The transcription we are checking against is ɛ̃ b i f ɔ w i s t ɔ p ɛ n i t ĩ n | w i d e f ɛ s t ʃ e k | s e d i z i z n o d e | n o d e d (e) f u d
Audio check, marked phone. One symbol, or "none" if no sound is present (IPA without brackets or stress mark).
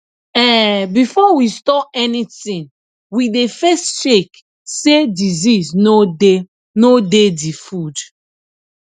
i